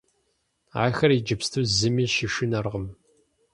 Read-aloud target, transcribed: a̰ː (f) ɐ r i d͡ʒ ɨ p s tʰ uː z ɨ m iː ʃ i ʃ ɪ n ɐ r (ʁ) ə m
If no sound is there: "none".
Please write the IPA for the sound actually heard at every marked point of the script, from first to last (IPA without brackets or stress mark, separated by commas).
x, ʁ